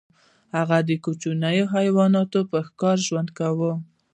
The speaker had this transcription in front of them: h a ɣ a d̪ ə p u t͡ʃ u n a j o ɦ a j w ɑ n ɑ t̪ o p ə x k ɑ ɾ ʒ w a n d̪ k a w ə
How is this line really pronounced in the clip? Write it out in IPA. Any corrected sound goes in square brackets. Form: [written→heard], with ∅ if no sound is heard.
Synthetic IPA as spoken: h a ɣ a d̪ ə [p→k] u t͡ʃ u n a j o ɦ a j w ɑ n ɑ t̪ o p ə x k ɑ ɾ ʒ w a n d̪ k a w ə